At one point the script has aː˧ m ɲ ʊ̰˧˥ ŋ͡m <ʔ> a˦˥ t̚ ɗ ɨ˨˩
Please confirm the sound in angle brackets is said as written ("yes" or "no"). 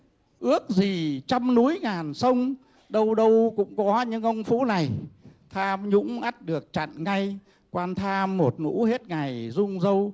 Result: yes